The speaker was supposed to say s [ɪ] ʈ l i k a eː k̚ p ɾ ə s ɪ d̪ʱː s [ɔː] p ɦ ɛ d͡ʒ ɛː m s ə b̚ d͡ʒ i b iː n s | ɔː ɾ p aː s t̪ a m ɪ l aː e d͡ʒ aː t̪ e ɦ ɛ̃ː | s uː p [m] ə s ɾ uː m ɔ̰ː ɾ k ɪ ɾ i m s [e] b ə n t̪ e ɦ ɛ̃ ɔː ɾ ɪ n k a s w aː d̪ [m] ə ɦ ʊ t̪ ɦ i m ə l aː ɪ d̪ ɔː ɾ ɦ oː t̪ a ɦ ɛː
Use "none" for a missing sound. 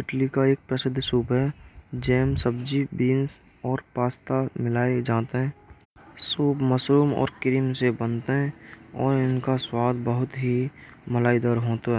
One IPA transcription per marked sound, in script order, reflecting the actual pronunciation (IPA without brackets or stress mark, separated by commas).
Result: ɪ, uː, m, e, b